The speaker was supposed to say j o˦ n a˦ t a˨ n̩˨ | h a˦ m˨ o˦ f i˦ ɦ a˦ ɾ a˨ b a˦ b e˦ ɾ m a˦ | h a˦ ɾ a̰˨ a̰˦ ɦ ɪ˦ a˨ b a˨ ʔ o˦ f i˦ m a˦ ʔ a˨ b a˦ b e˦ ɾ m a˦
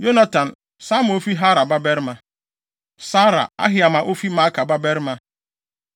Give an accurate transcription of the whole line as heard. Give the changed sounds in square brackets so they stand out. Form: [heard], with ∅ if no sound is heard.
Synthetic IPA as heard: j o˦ n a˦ t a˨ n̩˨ | [s] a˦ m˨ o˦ f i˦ ɦ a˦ ɾ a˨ b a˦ b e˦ ɾ m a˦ | [s] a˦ ɾ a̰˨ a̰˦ ɦ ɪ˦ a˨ [m] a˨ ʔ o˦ f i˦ m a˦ [k] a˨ b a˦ b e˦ ɾ m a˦